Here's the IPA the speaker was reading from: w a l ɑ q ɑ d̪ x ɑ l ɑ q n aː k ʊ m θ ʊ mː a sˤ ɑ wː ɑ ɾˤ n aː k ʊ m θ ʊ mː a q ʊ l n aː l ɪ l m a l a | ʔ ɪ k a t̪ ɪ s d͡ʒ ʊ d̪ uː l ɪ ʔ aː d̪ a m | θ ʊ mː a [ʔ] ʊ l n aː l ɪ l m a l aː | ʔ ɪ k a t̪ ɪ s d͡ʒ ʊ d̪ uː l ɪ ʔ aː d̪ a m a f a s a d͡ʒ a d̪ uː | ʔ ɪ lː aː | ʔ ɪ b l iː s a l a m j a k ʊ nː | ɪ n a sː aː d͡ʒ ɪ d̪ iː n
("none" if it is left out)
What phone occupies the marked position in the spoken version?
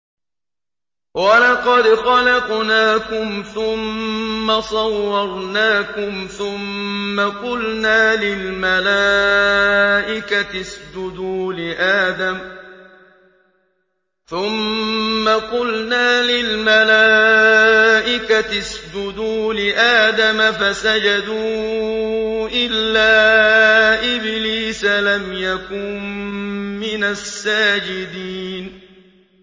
q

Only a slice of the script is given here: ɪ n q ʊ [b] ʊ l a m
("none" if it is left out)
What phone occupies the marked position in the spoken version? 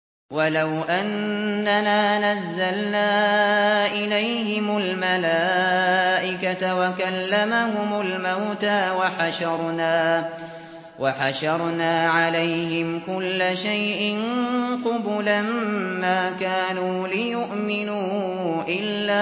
b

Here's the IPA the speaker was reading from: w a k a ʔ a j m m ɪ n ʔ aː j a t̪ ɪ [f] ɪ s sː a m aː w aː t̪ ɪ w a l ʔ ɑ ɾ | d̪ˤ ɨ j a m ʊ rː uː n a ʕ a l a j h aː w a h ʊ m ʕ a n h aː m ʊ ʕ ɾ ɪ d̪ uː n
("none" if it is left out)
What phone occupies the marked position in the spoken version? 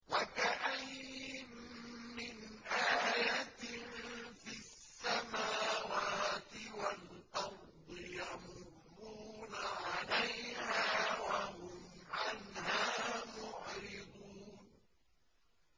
f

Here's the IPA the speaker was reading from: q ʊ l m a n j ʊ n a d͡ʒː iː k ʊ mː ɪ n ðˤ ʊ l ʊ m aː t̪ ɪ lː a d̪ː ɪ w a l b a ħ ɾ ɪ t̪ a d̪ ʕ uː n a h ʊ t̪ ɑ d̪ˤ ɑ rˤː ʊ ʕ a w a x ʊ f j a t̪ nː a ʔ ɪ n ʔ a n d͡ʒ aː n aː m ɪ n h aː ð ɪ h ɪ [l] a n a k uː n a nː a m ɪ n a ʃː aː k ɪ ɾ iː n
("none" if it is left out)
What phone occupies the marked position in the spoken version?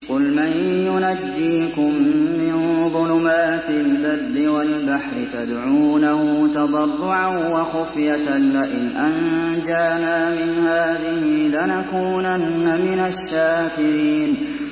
l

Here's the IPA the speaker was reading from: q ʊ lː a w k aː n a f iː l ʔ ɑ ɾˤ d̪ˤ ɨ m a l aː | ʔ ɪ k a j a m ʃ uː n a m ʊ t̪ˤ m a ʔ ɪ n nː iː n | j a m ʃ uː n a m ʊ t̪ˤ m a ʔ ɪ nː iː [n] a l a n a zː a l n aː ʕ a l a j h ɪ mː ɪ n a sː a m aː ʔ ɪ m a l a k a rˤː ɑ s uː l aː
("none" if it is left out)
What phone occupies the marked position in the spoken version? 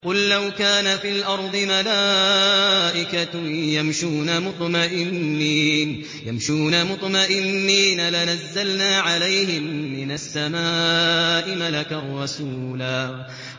n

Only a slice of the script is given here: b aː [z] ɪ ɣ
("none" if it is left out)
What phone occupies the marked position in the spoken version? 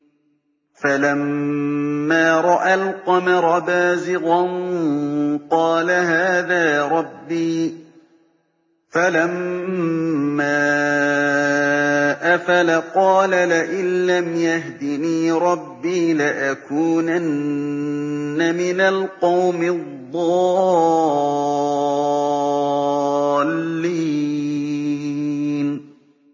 z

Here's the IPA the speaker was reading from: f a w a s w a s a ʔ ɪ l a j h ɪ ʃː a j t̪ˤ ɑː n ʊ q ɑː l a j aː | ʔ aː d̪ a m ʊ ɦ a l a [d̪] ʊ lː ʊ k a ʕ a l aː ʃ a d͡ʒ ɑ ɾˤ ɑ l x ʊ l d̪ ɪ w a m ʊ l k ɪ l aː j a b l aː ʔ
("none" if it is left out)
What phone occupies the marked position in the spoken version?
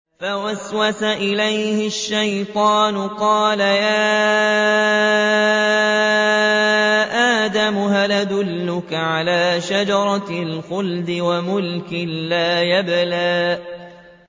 d̪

